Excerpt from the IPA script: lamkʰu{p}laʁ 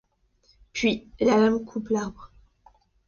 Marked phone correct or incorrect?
correct